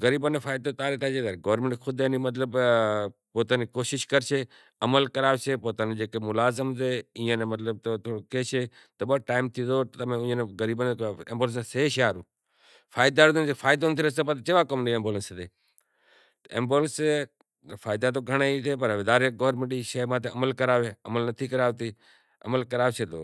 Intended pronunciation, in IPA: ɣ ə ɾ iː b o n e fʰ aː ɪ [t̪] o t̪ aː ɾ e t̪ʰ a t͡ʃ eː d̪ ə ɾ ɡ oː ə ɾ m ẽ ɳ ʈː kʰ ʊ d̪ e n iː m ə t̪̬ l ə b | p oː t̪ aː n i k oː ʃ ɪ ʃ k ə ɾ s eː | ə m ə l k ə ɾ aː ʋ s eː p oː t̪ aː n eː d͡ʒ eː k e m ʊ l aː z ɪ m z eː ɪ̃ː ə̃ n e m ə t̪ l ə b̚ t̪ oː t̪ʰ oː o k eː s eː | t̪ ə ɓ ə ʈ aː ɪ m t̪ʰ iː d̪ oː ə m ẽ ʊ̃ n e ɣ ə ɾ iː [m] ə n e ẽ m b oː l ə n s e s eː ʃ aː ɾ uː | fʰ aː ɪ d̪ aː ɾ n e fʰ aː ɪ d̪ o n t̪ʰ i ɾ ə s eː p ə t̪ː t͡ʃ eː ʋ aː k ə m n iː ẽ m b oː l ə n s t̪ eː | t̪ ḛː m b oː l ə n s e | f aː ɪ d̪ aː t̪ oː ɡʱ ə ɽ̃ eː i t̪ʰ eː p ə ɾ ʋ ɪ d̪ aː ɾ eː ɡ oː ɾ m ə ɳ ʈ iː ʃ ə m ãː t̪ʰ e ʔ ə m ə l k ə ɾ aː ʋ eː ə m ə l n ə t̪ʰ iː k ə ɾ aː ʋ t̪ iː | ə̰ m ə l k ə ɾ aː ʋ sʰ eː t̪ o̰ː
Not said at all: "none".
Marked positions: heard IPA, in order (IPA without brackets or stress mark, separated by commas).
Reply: d̪, b